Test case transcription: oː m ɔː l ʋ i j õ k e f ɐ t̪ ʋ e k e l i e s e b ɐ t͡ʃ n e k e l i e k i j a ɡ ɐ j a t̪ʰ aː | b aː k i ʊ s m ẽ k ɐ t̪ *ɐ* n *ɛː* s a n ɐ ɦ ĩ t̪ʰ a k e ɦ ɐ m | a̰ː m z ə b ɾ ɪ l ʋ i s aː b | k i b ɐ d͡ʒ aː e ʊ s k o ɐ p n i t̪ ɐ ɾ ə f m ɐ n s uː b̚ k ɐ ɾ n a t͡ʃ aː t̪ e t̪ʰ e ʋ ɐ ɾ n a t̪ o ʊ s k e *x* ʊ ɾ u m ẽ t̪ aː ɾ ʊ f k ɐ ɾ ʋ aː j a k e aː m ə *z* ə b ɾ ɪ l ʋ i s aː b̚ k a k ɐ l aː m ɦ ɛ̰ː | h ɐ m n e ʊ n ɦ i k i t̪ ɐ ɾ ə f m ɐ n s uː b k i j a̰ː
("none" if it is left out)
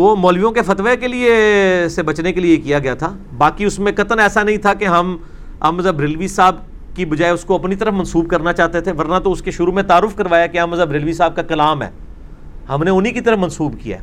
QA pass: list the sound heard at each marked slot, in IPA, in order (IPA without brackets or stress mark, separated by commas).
ə, ɛː, ʃ, z